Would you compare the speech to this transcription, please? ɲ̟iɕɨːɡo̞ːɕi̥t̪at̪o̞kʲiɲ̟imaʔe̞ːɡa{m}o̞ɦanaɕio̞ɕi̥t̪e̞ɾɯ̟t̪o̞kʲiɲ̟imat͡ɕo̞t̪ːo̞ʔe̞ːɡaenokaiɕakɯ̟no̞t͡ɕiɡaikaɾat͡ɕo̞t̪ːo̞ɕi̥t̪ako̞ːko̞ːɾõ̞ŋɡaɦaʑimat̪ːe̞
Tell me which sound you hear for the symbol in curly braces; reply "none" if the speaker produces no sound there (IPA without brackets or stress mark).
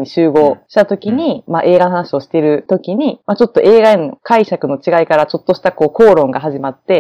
n